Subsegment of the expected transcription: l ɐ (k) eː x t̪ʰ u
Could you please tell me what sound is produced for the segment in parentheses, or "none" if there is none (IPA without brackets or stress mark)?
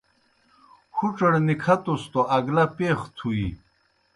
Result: p